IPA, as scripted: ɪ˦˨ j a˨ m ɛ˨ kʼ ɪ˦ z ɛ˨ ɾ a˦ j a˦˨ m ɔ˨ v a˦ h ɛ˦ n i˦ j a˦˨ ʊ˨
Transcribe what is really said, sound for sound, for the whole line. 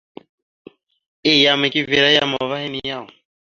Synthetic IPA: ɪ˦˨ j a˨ m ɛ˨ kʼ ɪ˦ v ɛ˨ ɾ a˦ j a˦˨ m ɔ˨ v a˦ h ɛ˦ n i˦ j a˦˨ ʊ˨